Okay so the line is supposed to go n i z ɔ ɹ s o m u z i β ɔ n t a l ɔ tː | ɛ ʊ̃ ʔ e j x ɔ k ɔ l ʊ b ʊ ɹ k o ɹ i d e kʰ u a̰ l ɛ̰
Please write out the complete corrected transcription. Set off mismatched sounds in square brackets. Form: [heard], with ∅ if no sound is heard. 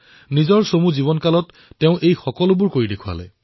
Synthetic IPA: n i z ɔ ɹ s o m u z i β ɔ n [k] a l ɔ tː | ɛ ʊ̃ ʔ e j x ɔ k ɔ l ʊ b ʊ ɹ k o ɹ i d e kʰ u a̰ l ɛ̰